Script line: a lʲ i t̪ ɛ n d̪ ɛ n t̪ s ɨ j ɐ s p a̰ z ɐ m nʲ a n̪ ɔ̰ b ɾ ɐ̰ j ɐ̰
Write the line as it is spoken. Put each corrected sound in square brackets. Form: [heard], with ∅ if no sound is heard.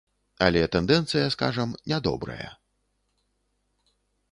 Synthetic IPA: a lʲ [ɛ] t̪ ɛ n d̪ ɛ n t̪ s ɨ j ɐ s [k] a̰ [ʐ] ɐ m nʲ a [d̪] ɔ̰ b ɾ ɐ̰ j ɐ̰